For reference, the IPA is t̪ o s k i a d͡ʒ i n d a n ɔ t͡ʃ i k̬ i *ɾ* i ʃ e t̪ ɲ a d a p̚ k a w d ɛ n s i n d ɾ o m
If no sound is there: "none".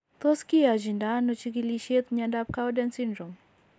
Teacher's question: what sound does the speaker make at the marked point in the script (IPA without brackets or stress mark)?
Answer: l